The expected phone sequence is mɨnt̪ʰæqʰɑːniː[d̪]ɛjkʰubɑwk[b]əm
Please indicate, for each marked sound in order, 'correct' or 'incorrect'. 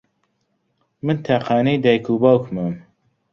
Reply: correct, incorrect: m

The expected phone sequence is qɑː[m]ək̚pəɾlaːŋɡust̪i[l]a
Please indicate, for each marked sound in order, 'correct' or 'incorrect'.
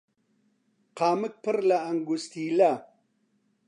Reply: correct, correct

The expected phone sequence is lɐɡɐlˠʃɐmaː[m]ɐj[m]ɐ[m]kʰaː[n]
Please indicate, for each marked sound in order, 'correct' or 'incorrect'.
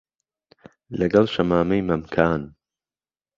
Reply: correct, correct, correct, correct

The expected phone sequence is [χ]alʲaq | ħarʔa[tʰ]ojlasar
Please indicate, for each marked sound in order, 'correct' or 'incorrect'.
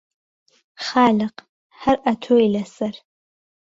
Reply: correct, correct

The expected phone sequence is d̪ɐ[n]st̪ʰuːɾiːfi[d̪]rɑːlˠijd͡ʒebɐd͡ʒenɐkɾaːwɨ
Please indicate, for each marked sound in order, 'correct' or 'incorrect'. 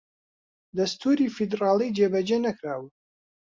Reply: incorrect: none, correct

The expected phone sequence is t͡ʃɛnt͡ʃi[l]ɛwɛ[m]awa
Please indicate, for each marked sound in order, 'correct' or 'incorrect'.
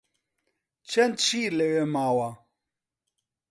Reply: correct, correct

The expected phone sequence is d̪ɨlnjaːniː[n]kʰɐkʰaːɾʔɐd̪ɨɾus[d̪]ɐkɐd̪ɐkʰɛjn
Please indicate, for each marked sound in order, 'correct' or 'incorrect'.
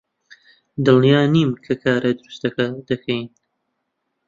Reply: incorrect: m, incorrect: t̪

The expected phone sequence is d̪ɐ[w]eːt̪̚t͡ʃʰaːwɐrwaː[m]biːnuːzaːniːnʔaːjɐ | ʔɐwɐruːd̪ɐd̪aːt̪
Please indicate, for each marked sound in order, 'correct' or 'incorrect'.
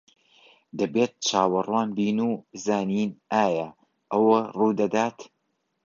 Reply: incorrect: b, incorrect: n

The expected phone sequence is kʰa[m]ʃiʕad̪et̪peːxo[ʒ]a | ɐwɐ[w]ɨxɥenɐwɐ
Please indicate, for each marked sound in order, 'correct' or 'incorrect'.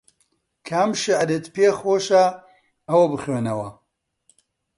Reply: correct, incorrect: ʃ, incorrect: b

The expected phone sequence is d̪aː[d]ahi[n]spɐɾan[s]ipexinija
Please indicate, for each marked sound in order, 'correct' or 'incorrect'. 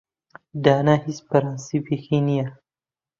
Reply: incorrect: n, incorrect: none, correct

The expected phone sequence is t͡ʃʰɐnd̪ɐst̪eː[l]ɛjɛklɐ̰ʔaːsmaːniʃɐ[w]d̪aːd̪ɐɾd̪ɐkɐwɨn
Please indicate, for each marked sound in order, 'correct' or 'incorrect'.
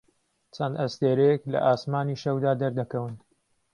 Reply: incorrect: ɾ, correct

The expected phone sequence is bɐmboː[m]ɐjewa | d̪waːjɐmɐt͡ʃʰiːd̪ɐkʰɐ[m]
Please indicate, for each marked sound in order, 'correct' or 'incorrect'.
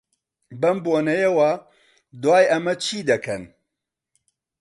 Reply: incorrect: n, incorrect: n

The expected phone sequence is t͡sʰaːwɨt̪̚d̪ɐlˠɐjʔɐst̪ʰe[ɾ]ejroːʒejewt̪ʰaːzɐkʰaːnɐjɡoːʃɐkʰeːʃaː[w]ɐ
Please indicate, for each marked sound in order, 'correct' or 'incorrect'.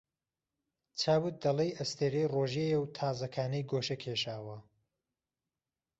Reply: correct, correct

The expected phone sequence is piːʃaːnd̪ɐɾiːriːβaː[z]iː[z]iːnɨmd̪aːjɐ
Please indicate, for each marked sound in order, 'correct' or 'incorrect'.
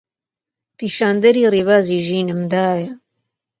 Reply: correct, incorrect: ʒ

